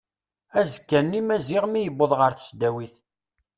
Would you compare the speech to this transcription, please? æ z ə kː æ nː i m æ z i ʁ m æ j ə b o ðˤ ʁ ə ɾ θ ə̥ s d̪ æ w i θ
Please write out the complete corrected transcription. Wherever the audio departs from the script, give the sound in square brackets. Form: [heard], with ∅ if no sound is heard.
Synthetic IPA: æ z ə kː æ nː i m æ z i ʁ m [i] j ə b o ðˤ ʁ ə ɾ θ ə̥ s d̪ æ w i θ